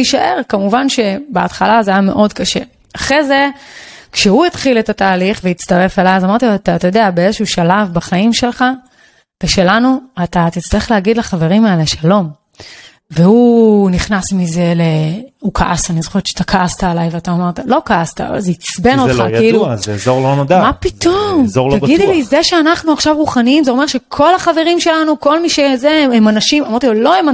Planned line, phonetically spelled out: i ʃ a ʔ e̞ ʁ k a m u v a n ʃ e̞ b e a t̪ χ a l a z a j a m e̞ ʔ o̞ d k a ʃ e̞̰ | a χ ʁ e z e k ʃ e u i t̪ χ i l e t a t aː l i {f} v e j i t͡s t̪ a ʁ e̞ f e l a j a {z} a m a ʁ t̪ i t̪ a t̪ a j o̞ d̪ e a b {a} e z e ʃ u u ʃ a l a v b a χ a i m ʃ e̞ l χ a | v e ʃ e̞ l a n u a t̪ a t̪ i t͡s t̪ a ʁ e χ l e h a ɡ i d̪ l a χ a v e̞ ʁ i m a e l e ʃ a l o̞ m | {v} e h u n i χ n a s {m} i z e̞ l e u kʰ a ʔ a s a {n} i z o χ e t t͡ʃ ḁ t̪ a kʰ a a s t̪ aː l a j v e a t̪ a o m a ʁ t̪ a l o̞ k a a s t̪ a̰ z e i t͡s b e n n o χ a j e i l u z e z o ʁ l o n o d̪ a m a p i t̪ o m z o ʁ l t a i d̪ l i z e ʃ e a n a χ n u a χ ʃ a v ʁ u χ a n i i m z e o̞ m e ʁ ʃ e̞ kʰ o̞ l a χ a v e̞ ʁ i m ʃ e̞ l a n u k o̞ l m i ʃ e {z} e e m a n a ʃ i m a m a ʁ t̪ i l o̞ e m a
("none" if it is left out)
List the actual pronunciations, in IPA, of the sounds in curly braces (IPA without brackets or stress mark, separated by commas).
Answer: χ, z, e, v, m, n, z